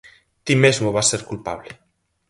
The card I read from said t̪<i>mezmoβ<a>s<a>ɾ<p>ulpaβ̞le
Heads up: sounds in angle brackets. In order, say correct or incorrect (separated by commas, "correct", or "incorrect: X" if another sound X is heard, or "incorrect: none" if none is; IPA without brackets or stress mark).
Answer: correct, correct, incorrect: e, incorrect: k